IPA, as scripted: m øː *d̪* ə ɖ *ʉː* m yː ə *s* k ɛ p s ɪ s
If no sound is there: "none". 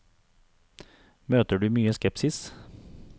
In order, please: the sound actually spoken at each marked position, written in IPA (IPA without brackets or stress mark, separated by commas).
t̪, ʉː, s